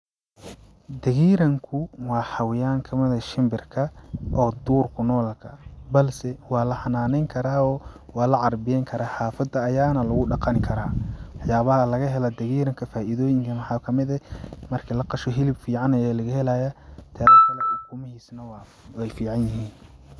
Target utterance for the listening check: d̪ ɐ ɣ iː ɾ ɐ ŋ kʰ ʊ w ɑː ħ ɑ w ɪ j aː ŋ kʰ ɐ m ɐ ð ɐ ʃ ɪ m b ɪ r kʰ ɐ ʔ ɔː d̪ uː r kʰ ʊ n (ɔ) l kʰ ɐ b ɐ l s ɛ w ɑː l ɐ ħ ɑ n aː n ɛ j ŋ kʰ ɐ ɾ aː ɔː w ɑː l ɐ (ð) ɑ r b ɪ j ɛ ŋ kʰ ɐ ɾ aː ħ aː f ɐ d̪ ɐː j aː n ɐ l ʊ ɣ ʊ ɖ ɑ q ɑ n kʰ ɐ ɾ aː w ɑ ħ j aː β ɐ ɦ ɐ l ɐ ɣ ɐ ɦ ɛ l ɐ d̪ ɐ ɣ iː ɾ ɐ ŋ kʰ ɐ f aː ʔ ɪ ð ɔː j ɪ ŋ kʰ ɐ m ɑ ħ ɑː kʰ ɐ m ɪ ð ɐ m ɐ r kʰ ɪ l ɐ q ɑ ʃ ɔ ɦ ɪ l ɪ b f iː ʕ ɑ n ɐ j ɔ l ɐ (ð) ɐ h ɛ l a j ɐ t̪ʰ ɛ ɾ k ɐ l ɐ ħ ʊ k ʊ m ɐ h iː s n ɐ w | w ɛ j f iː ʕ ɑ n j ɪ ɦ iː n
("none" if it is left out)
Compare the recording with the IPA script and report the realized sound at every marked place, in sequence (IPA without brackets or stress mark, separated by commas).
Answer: ɔː, ʕ, ɣ